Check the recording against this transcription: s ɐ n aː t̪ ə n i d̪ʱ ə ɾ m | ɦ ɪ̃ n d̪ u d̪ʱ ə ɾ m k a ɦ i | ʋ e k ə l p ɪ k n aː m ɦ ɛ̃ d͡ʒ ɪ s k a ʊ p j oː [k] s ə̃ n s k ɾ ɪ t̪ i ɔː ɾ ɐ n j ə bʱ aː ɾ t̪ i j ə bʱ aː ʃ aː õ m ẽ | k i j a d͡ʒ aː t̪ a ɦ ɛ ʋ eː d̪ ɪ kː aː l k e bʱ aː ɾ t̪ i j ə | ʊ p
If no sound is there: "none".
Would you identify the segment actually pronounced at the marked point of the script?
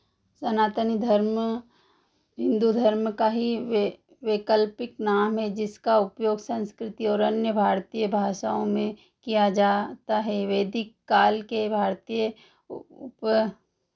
ɡ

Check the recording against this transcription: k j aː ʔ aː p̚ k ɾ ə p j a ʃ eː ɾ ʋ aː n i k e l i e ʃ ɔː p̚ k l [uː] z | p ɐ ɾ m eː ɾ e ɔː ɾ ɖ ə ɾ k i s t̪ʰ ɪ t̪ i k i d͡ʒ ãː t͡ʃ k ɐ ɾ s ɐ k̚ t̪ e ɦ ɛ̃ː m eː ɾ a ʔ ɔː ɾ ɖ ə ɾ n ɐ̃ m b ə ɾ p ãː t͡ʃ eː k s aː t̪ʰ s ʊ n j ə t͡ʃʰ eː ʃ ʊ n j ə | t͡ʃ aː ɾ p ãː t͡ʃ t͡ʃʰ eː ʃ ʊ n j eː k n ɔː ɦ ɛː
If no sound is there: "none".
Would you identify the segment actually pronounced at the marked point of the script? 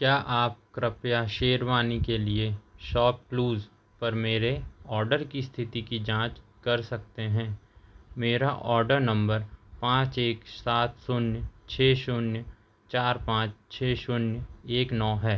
uː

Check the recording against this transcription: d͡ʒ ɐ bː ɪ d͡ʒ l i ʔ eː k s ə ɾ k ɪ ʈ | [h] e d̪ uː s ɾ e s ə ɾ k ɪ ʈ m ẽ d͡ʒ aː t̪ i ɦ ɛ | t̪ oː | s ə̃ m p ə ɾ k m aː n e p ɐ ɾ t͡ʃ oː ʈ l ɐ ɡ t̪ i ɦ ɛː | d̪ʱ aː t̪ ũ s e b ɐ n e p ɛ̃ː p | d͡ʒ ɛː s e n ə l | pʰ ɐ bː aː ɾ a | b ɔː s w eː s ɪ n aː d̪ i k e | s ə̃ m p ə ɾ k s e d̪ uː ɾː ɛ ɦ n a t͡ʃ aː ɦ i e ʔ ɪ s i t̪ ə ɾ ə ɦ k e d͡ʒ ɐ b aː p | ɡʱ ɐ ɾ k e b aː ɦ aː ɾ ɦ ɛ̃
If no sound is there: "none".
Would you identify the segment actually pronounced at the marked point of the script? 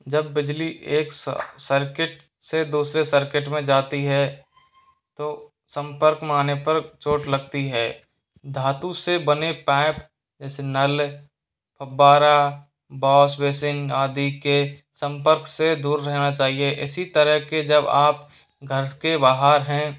s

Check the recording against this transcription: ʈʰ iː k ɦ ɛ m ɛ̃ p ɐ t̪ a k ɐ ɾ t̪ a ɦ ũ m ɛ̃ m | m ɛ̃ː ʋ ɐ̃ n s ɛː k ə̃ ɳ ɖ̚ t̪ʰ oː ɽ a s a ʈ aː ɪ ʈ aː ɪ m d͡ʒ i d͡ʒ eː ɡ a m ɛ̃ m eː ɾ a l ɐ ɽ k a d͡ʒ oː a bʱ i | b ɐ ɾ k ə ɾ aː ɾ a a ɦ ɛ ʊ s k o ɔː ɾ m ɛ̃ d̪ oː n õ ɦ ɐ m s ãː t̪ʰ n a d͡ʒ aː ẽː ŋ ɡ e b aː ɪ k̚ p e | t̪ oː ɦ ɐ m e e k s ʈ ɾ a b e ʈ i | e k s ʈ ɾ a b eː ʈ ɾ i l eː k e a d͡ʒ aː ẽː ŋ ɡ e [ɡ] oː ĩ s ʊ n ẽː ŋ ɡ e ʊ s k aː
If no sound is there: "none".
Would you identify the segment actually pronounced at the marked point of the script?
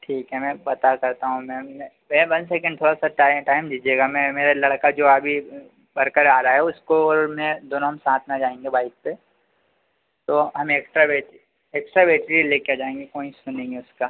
k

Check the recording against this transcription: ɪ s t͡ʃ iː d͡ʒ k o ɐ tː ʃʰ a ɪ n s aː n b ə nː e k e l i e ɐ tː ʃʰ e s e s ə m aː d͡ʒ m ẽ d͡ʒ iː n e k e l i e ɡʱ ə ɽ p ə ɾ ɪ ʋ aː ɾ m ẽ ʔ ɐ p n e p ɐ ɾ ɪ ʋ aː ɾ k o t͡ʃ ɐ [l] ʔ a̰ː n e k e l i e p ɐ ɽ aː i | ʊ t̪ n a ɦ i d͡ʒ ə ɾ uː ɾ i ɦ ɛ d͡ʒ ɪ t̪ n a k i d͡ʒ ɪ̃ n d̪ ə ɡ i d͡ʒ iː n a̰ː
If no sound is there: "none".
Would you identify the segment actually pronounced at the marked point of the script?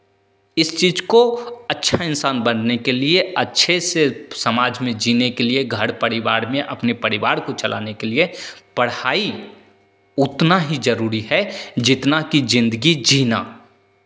l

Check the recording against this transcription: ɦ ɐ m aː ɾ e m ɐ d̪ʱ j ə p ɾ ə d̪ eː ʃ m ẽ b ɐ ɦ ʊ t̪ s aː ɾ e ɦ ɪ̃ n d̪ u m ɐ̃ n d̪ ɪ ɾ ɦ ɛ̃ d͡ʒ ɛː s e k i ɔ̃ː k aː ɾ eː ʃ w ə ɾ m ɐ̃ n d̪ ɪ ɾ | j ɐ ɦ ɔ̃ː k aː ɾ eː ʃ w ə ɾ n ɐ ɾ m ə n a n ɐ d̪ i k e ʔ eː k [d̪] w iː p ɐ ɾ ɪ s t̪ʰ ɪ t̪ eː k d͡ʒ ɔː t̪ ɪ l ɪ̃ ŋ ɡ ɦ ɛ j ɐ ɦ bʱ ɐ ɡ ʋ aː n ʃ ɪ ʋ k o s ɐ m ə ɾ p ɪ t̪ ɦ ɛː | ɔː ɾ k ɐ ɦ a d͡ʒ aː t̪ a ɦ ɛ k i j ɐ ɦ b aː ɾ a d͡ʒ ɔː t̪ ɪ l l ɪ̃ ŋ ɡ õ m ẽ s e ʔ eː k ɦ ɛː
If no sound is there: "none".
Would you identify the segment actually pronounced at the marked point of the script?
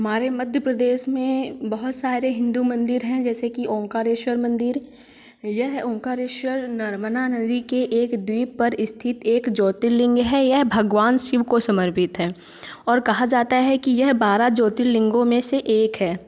d̪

